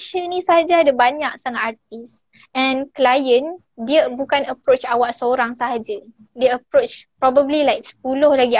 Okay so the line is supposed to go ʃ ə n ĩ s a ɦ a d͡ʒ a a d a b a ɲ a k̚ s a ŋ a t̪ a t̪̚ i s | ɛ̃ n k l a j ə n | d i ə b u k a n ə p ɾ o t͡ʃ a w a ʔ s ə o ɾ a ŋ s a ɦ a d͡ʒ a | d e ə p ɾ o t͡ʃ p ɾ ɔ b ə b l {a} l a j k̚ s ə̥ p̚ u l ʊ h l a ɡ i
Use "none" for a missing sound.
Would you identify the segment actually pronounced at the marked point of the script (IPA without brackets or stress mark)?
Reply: i